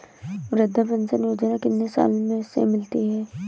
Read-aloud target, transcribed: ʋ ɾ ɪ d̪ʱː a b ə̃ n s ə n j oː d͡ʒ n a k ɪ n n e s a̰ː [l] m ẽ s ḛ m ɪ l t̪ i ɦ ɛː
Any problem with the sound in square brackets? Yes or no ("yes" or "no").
no